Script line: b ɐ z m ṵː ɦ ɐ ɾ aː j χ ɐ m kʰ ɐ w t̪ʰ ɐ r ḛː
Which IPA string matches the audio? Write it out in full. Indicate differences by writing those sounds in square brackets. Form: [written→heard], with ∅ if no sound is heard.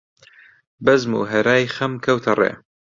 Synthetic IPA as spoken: b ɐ z m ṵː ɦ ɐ ɾ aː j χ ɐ m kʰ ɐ w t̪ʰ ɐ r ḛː